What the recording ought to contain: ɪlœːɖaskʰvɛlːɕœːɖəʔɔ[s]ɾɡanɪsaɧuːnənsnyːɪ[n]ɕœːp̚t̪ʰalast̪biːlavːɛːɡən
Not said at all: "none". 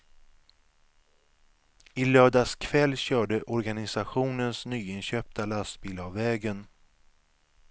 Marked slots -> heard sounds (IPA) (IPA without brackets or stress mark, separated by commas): none, n